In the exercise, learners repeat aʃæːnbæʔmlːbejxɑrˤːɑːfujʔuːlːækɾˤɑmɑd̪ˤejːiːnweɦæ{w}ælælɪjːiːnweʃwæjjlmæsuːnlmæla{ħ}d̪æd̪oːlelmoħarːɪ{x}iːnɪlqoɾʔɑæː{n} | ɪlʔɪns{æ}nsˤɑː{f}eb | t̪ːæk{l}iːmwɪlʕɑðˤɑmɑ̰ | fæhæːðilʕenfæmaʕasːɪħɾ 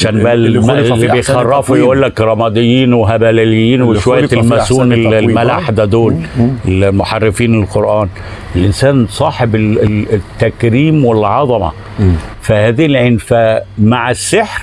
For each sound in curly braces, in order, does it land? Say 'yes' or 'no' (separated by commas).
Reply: no, yes, no, yes, no, no, no